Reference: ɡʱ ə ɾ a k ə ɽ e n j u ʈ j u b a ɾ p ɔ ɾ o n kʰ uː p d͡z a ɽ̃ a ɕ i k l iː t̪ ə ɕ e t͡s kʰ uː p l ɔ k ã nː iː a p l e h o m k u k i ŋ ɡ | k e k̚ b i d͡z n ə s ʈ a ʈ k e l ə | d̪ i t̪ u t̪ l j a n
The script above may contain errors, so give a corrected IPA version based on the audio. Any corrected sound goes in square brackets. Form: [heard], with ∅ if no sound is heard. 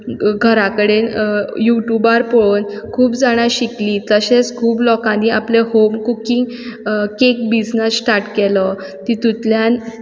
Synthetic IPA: ɡʱ ə ɾ a k ə ɽ e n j u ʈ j u b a ɾ p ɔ [ɭ] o n kʰ uː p d͡z a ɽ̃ a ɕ i k l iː t̪ ə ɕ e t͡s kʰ uː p l ɔ k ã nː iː a p l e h o m k u k i ŋ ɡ | k e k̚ b i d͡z n ə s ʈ a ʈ k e l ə | [t̪] i t̪ u t̪ l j a n